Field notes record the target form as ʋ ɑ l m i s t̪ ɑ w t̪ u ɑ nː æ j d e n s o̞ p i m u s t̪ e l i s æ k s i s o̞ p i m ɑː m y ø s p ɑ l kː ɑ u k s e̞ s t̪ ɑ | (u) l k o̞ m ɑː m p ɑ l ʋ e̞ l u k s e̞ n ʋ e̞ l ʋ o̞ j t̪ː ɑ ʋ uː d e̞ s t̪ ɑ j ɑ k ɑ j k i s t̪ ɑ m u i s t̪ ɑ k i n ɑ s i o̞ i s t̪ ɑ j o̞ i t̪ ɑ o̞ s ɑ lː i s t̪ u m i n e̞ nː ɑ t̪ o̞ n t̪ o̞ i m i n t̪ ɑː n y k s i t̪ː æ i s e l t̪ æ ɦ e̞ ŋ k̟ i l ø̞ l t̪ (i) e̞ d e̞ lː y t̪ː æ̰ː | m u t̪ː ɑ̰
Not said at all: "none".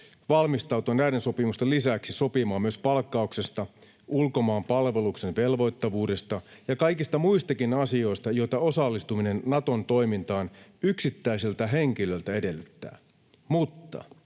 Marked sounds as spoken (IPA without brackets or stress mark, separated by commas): u, æ